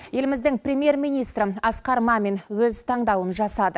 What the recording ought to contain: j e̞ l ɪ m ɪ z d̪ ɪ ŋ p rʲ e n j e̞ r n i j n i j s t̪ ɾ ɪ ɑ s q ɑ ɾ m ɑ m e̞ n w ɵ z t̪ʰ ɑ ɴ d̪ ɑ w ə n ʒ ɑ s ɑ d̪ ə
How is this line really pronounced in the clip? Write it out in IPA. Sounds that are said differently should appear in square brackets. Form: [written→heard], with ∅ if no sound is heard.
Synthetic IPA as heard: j e̞ l ɪ m ɪ z d̪ ɪ ŋ p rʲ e [n→m] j e̞ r [n→m] i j n i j s t̪ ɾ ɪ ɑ s q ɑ ɾ m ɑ m e̞ n w ɵ z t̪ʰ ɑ ɴ d̪ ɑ w ə n ʒ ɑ s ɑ d̪ ə